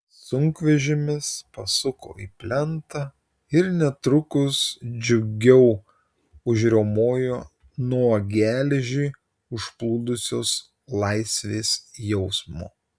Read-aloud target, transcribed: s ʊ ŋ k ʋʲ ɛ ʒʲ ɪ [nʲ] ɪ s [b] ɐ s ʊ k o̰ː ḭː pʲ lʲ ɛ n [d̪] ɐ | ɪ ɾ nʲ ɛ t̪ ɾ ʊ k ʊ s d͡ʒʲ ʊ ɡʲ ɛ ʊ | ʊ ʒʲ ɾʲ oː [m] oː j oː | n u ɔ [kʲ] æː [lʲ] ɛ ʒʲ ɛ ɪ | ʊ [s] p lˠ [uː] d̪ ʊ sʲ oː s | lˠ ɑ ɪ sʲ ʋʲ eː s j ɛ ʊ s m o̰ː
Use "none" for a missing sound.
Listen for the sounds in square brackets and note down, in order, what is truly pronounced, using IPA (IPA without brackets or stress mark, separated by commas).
mʲ, p, t̪, m, ɡʲ, lʲ, ʃ, uː